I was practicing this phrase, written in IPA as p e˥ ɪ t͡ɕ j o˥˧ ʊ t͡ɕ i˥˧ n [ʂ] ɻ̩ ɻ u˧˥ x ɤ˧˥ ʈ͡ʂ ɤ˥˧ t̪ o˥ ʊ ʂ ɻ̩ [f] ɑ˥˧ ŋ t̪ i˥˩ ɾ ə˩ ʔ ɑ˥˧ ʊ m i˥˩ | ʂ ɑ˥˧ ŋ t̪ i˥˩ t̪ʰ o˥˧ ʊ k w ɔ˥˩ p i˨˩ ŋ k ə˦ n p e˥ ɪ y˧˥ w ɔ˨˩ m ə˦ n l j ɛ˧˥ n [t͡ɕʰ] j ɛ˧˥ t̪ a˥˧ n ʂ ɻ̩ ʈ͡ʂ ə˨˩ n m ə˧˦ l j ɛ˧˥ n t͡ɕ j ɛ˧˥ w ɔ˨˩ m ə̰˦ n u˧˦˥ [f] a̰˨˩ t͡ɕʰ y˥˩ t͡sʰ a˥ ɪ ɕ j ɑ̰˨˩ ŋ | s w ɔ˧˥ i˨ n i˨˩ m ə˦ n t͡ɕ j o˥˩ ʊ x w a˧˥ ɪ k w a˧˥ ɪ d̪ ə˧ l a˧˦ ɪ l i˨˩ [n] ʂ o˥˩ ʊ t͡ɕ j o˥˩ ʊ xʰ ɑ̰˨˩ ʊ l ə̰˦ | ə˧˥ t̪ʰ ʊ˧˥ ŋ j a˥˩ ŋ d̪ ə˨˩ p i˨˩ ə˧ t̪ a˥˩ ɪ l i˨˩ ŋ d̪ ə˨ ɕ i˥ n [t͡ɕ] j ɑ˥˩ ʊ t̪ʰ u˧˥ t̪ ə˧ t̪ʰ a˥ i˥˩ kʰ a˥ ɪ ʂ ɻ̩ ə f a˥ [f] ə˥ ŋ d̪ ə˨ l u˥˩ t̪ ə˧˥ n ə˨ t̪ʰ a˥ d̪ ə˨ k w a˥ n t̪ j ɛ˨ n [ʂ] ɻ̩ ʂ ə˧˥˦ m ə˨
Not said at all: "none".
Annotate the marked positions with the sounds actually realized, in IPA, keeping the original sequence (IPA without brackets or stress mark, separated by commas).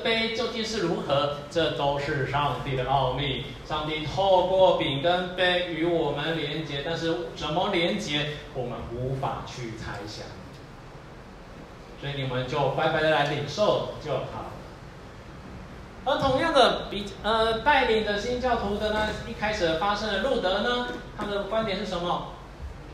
ʂ, ʂ, t͡ɕ, f, ŋ, t͡ɕ, ʂ, ʂ